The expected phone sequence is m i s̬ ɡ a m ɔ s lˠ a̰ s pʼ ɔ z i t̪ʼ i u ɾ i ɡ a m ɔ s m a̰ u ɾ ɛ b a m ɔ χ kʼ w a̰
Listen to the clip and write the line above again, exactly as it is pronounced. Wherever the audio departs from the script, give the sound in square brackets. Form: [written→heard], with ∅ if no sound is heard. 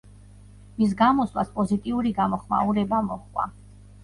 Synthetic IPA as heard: m i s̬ ɡ a m ɔ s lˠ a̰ s pʼ ɔ z i t̪ʼ i u ɾ i ɡ a m ɔ [s→χ] m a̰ u ɾ ɛ b a m ɔ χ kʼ w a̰

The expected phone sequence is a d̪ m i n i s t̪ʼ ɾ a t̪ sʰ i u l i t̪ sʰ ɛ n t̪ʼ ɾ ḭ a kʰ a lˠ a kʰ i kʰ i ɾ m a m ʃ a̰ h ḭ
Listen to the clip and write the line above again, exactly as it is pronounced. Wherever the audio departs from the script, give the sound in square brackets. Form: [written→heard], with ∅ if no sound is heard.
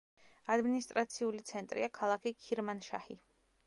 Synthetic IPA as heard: a d̪ m i n i s t̪ʼ ɾ a t̪ sʰ i u l i t̪ sʰ ɛ n t̪ʼ ɾ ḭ a kʰ a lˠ a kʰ i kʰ i ɾ m a [m→n] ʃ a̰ h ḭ

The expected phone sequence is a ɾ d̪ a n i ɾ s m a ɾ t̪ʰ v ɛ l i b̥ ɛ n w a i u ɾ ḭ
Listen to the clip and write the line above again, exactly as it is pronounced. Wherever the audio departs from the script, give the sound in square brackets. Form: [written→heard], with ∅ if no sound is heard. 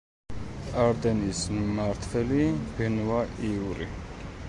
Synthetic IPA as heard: a ɾ d̪ [a→ɛ] n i [ɾ→∅] s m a ɾ t̪ʰ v ɛ l i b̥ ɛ n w a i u ɾ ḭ

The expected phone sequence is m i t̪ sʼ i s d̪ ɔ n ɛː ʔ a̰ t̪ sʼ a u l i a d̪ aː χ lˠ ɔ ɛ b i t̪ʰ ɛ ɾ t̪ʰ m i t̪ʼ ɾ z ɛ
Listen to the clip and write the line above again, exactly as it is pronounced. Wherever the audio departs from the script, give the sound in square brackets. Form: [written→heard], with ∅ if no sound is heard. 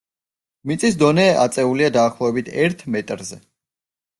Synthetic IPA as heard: m i t̪ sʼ i s d̪ ɔ n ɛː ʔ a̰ t̪ sʼ [a→ɛ] u l i a d̪ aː χ lˠ ɔ ɛ b i t̪ʰ ɛ ɾ t̪ʰ m [i→ɛ] t̪ʼ ɾ z ɛ

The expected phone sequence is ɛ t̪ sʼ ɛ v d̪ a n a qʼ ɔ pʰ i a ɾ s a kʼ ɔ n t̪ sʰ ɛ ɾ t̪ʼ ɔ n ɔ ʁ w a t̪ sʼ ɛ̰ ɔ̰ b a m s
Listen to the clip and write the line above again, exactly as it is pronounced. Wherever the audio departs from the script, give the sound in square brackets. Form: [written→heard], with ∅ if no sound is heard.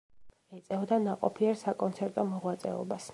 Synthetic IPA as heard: ɛ t̪ sʼ ɛ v d̪ a n a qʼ ɔ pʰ i [a→ɛ] ɾ s a kʼ ɔ n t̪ sʰ ɛ ɾ t̪ʼ ɔ [n→m] ɔ ʁ w a t̪ sʼ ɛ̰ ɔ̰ b a [m→∅] s

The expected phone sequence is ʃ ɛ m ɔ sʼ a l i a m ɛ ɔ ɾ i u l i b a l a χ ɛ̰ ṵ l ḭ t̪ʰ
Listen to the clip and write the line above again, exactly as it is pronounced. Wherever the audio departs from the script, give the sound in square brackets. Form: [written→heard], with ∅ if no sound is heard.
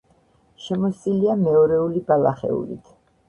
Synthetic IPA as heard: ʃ ɛ m ɔ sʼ [a→i] l i a m ɛ ɔ ɾ [i→ɛ] u l i b a l a χ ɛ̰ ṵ l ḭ t̪ʰ

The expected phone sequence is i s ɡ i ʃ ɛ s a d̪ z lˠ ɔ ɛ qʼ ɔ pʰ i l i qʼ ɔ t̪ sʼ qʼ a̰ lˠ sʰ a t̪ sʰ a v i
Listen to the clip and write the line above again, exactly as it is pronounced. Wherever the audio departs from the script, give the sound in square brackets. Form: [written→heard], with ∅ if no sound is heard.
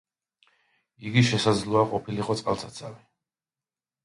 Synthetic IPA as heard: i [s→∅] ɡ i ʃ ɛ s a d̪ z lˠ ɔ [ɛ→a] qʼ ɔ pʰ i l i qʼ ɔ t̪ sʼ qʼ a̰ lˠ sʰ a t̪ sʰ a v i

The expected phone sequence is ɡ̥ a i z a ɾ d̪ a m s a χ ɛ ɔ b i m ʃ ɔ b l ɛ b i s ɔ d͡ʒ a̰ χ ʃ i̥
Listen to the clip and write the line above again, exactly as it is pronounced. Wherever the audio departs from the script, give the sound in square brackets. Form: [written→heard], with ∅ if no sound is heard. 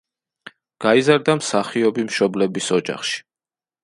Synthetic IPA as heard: ɡ̥ a i z a ɾ d̪ a m s a χ [ɛ→i] ɔ b i m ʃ ɔ b l ɛ b i s ɔ d͡ʒ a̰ χ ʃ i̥

